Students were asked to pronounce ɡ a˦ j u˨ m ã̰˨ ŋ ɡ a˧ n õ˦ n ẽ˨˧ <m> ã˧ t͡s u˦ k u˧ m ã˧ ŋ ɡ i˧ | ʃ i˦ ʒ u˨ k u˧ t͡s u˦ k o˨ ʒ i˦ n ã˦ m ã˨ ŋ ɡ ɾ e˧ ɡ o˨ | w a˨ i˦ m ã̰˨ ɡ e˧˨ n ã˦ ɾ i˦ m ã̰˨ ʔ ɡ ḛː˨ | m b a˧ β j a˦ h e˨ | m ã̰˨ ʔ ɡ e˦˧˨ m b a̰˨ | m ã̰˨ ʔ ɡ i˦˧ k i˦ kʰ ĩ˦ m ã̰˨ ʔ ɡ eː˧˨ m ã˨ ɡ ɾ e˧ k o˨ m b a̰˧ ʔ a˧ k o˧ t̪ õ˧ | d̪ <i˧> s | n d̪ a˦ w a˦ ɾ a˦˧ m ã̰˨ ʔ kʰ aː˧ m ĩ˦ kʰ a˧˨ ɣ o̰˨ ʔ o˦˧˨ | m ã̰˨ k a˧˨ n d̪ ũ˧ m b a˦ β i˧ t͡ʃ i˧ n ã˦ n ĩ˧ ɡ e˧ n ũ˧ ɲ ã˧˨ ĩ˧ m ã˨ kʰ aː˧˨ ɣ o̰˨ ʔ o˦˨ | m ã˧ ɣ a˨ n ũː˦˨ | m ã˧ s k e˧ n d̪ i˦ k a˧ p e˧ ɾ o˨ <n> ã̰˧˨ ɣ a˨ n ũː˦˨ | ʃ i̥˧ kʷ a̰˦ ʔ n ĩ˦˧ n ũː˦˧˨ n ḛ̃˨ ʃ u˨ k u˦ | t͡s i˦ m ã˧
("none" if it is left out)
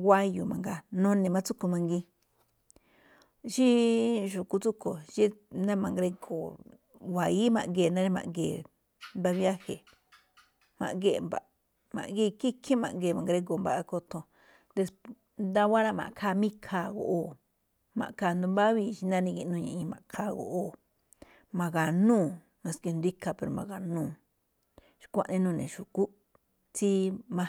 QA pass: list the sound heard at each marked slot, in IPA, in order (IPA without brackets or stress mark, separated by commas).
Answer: m, e˧, m